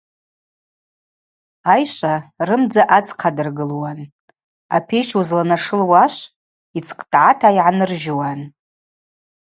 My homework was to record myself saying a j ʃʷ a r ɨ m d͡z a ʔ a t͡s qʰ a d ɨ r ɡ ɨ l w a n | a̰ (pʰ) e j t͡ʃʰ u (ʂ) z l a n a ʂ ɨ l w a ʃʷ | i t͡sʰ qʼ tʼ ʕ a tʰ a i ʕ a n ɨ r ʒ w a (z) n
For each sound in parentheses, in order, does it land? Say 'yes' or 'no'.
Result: yes, no, no

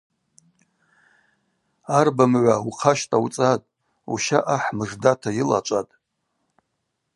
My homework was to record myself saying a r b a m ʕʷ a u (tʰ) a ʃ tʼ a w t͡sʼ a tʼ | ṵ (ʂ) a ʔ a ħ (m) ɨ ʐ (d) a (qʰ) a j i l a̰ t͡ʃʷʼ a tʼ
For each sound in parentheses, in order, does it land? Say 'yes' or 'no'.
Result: no, no, yes, yes, no

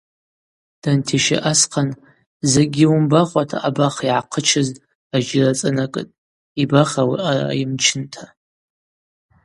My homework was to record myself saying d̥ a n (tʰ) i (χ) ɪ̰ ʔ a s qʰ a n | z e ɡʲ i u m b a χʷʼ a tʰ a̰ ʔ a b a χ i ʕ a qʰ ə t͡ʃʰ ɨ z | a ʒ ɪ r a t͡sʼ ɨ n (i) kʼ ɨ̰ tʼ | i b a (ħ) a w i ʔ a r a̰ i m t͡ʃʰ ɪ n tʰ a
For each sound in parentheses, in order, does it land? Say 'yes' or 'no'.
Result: yes, no, no, no

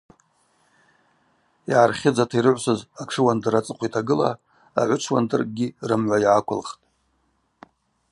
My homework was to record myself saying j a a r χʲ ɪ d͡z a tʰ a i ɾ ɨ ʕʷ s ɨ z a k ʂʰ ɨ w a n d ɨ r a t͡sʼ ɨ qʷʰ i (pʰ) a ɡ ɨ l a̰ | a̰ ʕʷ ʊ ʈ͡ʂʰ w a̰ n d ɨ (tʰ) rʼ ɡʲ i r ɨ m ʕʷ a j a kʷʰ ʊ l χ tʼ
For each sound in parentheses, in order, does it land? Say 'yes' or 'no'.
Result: no, no

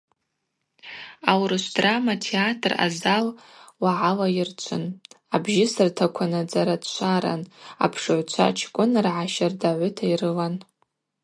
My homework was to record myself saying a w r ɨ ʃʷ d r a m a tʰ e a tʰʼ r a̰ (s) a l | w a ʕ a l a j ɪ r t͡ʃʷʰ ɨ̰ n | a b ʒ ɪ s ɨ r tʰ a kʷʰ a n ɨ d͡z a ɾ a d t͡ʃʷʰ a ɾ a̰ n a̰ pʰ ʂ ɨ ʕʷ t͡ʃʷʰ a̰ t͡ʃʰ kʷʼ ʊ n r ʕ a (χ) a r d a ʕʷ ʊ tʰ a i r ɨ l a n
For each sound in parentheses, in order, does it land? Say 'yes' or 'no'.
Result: no, no

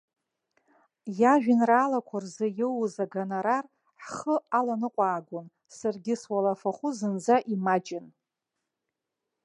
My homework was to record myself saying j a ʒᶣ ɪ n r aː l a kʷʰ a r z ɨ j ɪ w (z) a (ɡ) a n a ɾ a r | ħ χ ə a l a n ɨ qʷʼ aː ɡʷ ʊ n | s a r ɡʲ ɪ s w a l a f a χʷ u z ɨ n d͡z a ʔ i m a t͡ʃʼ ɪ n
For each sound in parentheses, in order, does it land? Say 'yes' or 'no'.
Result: yes, yes

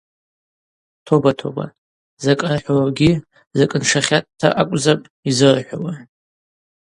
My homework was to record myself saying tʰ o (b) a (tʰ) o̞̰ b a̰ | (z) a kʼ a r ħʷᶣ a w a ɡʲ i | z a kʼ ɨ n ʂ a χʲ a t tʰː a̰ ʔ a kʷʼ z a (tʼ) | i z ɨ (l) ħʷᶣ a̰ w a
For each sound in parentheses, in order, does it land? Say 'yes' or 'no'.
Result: yes, yes, yes, no, no

